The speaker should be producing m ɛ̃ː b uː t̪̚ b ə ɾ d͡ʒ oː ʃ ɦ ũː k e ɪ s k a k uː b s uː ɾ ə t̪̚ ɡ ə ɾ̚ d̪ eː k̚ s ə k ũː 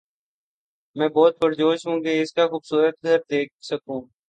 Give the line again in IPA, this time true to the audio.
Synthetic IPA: m ɛ̃ː b ɔː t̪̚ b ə ɾ d͡ʒ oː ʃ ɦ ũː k e ɪ s k a x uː b s uː ɾ ə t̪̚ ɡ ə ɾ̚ d̪ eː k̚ s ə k ũː